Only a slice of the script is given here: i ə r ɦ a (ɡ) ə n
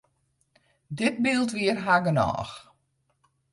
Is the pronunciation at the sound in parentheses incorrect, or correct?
correct